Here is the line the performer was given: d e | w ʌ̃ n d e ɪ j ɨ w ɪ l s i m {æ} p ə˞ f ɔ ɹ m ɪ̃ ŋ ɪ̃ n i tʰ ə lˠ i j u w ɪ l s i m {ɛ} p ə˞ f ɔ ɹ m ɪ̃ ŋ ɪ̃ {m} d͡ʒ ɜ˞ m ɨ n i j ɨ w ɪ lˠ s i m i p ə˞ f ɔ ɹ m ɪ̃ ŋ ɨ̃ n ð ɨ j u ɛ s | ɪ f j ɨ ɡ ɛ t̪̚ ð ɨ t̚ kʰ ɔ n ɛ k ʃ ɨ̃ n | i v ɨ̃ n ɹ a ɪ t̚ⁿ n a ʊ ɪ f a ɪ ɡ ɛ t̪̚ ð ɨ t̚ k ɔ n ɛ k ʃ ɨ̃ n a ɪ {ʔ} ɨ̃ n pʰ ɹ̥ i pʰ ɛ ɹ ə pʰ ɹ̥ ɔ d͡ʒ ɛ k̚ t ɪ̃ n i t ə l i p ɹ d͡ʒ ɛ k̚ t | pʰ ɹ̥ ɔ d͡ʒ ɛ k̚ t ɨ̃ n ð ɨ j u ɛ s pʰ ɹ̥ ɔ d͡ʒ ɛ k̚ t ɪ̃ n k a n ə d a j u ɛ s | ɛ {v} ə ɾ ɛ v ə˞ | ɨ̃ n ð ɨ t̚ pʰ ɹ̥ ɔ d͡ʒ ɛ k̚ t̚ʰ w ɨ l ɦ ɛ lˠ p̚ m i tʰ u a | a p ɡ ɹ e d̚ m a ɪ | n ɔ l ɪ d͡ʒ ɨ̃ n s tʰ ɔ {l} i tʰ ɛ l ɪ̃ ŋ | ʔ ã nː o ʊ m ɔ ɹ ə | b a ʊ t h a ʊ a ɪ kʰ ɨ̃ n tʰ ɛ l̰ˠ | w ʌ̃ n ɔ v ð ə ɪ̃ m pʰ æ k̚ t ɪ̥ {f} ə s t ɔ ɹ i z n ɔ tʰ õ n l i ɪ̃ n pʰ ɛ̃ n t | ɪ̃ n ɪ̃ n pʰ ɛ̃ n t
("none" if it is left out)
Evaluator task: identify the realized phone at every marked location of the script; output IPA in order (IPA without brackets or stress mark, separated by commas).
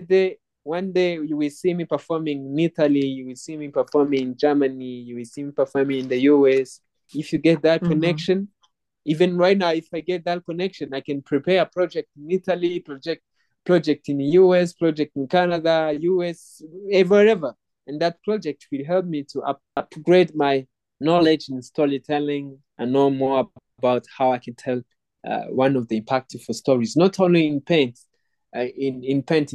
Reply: i, i, n, k, v, ɹ, f